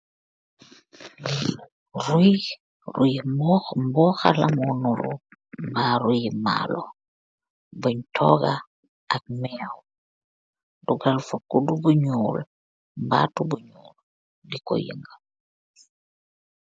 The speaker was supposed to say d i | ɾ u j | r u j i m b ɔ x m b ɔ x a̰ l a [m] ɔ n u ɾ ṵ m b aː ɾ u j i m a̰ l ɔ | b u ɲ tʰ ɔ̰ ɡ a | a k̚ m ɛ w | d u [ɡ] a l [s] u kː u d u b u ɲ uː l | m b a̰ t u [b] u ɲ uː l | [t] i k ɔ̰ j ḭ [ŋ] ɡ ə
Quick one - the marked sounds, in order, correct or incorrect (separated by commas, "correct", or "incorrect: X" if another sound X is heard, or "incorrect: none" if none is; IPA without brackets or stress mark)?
correct, correct, incorrect: f, correct, incorrect: d, correct